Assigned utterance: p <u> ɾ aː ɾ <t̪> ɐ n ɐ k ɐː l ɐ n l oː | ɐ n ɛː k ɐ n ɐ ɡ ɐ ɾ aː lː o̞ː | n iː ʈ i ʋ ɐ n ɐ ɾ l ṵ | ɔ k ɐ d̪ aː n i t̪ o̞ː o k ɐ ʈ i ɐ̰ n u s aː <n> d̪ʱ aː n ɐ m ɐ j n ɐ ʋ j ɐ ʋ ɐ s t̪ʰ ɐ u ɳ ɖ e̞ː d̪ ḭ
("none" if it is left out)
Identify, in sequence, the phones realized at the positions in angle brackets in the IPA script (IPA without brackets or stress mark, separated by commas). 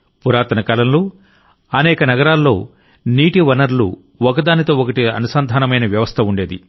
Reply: u, t̪, n